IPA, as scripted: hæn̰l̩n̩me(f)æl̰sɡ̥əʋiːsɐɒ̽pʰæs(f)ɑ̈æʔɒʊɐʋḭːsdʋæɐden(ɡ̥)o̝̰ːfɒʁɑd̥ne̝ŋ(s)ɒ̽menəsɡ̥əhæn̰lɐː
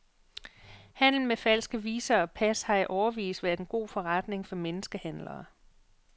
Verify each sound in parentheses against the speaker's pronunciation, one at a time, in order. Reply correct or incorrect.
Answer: correct, incorrect, correct, incorrect

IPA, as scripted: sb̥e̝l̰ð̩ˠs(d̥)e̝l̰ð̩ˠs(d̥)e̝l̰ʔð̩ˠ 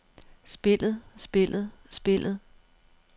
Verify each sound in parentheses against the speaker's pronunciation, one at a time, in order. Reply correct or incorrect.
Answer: incorrect, incorrect

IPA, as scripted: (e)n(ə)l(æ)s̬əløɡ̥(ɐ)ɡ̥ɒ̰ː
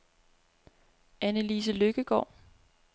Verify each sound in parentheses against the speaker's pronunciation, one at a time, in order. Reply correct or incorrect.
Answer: incorrect, correct, incorrect, incorrect

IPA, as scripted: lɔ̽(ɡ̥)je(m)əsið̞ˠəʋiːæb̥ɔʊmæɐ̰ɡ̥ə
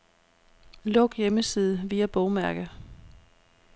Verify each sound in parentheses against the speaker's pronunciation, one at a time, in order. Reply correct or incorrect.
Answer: correct, correct

